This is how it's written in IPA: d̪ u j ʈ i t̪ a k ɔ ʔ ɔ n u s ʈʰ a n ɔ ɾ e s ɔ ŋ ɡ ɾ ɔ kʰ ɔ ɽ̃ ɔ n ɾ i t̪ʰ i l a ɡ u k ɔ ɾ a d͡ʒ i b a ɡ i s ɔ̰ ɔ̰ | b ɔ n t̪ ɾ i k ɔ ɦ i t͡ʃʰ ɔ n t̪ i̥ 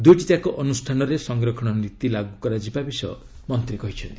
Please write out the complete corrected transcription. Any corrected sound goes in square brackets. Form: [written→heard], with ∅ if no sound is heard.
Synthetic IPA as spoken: d̪ u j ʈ i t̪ a k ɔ ʔ ɔ n u s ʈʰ a n ɔ ɾ e s ɔ ŋ ɡ ɾ ɔ kʰ ɔ ɽ̃ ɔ n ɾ i [t̪ʰ→t̪] i l a ɡ u k ɔ ɾ a d͡ʒ i b a [ɡ→b] i s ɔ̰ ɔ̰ | [b→m] ɔ n t̪ ɾ i k ɔ ɦ i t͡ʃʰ ɔ n t̪ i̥